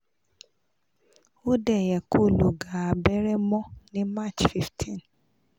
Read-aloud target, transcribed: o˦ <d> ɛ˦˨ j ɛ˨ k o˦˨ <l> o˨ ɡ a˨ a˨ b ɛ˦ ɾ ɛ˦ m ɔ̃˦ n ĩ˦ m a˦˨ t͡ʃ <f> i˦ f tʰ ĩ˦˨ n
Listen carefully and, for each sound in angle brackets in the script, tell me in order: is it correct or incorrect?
correct, correct, correct

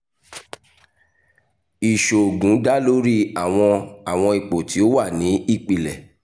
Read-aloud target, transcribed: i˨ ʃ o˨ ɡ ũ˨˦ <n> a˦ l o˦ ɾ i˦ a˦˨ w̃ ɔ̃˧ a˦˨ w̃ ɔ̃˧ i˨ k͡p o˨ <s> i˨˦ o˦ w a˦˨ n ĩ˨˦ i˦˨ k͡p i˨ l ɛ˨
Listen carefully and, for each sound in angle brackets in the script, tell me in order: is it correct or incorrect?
incorrect, incorrect

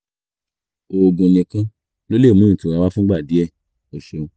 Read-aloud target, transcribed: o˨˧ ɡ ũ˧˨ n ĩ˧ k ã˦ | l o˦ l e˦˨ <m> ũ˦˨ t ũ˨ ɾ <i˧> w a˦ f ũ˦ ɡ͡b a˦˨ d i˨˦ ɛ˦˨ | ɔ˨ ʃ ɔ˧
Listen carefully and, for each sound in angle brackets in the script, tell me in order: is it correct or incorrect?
correct, incorrect

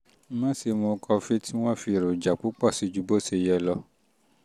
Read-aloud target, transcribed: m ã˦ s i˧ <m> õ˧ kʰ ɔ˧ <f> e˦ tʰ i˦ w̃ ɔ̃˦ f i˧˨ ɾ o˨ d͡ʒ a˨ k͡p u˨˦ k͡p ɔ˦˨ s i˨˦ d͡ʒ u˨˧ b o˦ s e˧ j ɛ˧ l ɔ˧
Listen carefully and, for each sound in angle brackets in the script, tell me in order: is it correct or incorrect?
correct, correct

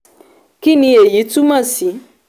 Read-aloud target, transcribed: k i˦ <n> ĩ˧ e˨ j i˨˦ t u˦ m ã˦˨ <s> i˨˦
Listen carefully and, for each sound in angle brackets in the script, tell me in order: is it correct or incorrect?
correct, correct

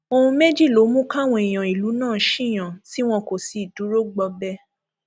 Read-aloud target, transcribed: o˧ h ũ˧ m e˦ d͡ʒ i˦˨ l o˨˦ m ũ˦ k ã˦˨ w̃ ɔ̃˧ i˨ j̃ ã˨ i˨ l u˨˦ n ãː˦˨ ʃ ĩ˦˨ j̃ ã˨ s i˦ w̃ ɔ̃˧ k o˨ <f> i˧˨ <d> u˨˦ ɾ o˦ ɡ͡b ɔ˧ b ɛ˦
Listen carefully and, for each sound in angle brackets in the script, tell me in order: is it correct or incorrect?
incorrect, correct

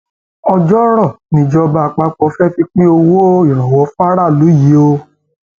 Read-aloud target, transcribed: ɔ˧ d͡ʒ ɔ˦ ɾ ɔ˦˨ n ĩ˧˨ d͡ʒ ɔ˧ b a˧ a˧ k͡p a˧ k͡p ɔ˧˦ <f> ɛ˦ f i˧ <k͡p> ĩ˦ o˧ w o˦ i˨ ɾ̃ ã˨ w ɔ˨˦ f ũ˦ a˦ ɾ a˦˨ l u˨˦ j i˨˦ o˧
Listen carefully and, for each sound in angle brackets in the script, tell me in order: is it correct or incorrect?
correct, correct

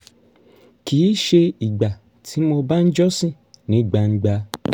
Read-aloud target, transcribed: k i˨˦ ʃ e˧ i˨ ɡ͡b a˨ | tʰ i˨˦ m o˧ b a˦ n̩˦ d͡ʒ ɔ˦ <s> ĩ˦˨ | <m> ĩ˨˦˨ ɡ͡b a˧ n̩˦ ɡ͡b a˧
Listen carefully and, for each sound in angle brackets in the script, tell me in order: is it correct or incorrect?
correct, incorrect

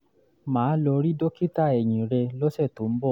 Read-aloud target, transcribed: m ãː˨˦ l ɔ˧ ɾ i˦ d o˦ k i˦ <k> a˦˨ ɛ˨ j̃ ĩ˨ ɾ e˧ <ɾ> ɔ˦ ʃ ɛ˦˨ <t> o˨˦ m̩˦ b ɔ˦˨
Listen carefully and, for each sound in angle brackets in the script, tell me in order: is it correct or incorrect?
incorrect, incorrect, correct

